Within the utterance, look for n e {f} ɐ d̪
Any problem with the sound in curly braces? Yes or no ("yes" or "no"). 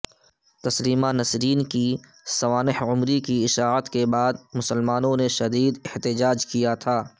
yes